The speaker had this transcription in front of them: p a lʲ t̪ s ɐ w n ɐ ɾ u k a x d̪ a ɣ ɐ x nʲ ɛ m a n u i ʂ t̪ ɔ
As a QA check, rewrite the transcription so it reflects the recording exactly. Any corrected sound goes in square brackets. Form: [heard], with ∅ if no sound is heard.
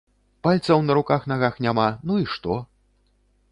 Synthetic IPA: p a lʲ t̪ s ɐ w n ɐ ɾ u k a x [n̪] a ɣ [a] x nʲ [a] m a n u i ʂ t̪ ɔ